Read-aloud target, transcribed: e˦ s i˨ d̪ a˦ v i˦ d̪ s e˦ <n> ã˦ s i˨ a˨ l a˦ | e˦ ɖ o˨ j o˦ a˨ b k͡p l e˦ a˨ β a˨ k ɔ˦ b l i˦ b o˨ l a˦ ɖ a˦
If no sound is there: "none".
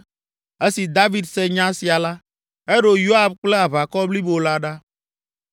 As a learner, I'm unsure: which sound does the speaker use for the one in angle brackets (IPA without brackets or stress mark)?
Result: ɲ